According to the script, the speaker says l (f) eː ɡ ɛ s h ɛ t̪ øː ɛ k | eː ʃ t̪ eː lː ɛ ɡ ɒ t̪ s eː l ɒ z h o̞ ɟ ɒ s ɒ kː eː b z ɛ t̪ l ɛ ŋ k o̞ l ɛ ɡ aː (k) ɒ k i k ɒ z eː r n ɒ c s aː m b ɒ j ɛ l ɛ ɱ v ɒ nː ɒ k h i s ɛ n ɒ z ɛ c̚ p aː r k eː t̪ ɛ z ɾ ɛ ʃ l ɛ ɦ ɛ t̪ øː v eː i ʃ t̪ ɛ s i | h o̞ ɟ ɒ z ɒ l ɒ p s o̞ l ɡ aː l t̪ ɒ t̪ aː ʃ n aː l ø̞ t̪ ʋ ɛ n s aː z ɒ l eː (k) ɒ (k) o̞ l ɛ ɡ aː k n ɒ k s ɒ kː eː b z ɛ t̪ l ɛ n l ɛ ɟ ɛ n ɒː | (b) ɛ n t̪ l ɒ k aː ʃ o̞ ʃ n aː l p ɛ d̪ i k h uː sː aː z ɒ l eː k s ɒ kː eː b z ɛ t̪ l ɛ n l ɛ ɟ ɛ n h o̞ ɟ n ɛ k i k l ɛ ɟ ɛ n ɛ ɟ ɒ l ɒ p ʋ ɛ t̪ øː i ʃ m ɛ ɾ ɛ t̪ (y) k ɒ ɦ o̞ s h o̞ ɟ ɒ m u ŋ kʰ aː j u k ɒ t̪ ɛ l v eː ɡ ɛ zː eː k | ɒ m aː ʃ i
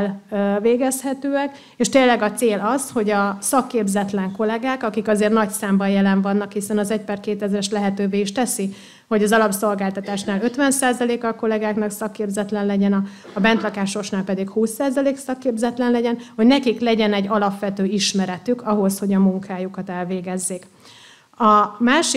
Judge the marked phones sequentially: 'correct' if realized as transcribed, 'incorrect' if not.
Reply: incorrect: v, correct, correct, correct, correct, correct

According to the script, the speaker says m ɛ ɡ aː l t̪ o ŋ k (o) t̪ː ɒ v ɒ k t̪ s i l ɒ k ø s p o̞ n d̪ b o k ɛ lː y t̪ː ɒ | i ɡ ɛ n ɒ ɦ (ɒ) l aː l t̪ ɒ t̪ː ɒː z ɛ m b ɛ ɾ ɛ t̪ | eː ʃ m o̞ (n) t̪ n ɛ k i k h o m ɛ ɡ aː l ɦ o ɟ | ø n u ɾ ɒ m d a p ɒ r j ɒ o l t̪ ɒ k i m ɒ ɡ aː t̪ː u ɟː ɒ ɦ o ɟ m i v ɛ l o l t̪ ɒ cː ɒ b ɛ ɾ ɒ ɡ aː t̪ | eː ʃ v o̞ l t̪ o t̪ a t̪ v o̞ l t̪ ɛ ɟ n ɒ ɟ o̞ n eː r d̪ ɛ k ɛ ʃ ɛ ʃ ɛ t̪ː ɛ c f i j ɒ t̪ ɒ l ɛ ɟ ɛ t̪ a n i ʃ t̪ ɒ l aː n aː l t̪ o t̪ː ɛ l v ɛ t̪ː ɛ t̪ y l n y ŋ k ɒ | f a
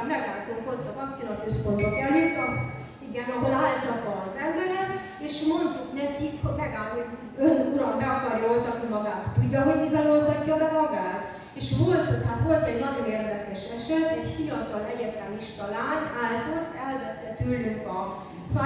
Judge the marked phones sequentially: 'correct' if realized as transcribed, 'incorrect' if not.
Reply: correct, incorrect: o, correct

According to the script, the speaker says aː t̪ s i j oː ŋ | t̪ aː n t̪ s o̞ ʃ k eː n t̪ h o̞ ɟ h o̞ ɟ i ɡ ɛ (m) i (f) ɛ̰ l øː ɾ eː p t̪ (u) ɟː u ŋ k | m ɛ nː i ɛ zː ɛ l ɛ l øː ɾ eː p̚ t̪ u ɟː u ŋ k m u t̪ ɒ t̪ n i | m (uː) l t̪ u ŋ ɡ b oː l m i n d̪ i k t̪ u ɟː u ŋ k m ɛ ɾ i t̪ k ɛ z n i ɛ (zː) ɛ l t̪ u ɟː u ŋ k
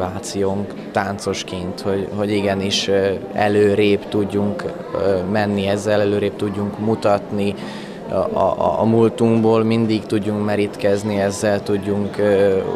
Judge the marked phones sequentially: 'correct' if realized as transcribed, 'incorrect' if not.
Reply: incorrect: n, incorrect: ʃ, correct, incorrect: u, correct

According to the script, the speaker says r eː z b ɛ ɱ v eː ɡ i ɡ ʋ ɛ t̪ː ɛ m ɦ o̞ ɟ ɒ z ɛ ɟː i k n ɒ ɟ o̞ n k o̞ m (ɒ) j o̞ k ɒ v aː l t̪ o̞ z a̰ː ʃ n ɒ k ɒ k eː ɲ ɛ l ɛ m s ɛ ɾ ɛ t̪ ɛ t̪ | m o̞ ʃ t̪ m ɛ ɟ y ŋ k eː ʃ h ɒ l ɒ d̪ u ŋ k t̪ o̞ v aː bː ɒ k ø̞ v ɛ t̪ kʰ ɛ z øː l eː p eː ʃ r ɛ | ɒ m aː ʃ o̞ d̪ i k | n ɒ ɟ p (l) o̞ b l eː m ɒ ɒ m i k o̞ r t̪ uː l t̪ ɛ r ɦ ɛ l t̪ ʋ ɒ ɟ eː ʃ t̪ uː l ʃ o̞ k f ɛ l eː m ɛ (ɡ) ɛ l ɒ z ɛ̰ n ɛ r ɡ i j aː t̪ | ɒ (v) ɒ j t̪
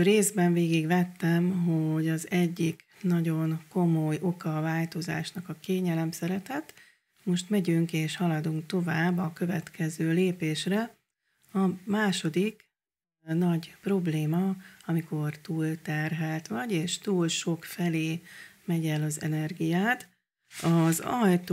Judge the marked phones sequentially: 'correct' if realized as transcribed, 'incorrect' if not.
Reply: incorrect: o, incorrect: r, incorrect: ɟ, incorrect: z

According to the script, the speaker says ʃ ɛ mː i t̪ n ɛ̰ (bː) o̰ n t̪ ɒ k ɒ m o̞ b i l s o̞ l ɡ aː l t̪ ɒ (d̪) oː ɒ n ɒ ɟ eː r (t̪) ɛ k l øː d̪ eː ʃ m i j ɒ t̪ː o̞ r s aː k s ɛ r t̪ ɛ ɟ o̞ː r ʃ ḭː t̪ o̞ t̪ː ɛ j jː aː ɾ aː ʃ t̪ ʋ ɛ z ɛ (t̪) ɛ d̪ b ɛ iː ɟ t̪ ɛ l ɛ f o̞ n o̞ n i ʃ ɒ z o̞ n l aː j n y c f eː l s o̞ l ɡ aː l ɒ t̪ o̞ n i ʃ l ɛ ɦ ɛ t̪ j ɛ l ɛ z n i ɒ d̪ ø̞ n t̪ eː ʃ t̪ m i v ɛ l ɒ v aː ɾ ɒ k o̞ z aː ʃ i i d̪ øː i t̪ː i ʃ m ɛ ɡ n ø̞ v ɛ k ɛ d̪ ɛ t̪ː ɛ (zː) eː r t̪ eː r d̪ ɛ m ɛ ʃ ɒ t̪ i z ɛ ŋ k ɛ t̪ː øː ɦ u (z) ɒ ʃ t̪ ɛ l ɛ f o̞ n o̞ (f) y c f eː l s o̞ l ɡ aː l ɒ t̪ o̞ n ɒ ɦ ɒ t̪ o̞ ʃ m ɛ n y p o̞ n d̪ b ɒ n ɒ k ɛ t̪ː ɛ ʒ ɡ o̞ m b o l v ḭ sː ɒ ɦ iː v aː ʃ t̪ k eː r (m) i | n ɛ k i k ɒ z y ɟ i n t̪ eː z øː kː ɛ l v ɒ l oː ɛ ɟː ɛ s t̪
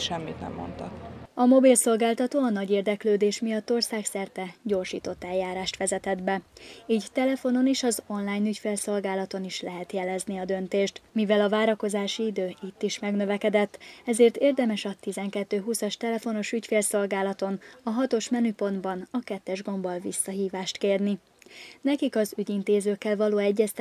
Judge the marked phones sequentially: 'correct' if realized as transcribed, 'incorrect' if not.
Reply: incorrect: mː, incorrect: t̪, incorrect: d̪, correct, incorrect: z, incorrect: s, incorrect: ʃ, incorrect: n

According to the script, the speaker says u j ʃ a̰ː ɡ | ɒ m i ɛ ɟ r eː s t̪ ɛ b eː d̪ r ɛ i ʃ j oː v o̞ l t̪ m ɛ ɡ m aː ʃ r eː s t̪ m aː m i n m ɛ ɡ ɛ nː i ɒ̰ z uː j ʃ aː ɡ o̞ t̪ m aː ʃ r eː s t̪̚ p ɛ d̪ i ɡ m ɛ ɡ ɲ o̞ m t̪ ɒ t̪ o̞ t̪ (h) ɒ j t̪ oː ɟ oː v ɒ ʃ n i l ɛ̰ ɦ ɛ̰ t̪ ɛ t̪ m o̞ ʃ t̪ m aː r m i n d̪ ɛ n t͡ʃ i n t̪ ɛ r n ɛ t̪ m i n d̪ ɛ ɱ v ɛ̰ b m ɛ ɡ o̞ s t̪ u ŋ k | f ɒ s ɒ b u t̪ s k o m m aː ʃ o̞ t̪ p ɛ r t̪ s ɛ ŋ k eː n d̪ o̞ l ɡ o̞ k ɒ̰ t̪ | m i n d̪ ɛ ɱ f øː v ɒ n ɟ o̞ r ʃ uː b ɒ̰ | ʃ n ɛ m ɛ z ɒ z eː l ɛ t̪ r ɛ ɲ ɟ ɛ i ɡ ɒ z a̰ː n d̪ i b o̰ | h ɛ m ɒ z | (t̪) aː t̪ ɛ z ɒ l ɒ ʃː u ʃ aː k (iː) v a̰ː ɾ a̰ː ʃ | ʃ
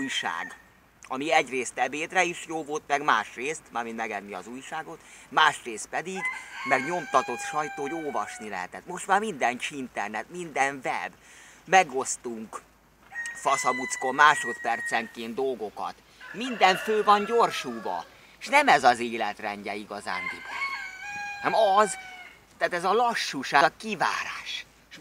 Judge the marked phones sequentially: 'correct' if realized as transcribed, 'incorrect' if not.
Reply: incorrect: ʃ, correct, incorrect: i

